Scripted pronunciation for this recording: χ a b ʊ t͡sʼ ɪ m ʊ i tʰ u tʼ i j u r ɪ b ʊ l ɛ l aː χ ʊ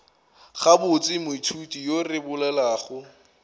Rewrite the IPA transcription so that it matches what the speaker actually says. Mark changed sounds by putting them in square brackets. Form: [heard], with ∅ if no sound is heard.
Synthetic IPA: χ a b ʊ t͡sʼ ɪ m ʊ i tʰ u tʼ i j [o] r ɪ b ʊ l ɛ l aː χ ʊ